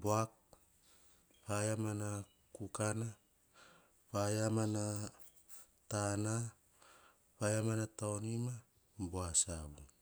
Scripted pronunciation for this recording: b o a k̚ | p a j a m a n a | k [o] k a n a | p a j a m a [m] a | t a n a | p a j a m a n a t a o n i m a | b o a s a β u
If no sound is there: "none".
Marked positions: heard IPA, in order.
u, n

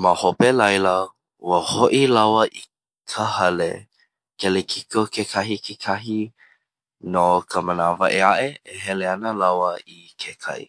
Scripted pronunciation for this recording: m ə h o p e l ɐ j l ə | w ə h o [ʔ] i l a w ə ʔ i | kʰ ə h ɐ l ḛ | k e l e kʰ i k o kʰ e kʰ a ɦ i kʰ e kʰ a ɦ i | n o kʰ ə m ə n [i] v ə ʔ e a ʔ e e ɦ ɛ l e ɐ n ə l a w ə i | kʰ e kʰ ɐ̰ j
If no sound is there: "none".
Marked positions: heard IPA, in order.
ʔ, a

